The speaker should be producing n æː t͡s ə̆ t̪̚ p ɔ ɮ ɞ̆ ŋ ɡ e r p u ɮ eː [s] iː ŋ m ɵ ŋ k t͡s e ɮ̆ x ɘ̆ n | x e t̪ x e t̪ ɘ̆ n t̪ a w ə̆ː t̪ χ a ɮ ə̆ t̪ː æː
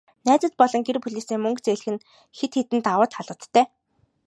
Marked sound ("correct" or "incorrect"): correct